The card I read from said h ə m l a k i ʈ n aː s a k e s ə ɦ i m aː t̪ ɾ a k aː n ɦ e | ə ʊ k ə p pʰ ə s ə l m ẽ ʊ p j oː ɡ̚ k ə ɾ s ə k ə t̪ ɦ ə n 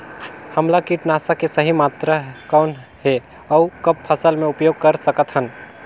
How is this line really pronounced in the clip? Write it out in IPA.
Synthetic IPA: h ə m l a k i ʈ n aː s a k e s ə ɦ i m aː t̪ ɾ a k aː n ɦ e | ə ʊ k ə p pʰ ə s ə l m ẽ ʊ p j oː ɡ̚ k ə ɾ s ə k ə t̪ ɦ ə n